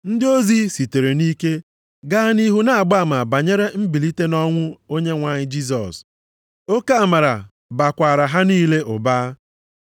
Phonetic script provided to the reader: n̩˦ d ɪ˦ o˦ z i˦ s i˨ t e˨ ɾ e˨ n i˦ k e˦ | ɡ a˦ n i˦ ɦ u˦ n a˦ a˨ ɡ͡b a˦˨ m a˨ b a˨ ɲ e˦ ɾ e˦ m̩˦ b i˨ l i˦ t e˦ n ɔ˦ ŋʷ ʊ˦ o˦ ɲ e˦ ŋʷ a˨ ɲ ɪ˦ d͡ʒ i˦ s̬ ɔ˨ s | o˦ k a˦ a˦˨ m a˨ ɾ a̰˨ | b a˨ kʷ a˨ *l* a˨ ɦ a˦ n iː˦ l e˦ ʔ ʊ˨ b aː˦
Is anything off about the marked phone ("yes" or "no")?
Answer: yes